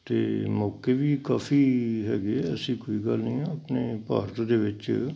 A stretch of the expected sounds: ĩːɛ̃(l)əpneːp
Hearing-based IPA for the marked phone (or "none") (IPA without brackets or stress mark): none